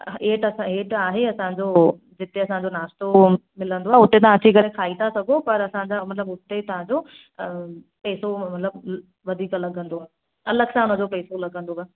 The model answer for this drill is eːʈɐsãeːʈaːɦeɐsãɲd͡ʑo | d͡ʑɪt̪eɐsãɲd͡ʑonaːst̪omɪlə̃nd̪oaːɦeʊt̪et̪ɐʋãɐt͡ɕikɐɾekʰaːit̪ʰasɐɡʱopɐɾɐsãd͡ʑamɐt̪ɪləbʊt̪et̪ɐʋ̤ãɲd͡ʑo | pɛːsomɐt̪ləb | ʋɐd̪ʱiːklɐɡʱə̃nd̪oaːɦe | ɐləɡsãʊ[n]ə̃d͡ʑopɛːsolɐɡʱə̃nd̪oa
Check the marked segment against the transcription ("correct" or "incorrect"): correct